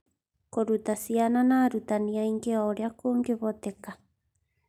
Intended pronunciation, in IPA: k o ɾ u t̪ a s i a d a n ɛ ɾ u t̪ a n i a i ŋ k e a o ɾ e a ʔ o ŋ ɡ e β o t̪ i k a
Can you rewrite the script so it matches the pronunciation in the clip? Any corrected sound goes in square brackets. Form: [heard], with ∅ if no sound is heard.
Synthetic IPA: k o ɾ u t̪ a s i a [n] a n [a] ɾ u t̪ a n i a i ŋ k e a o ɾ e a [k] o ŋ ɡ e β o t̪ [e] k a